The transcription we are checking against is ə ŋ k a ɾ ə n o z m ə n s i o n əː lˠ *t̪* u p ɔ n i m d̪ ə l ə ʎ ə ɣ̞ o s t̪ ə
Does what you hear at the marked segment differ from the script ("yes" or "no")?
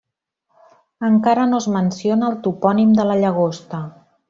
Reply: no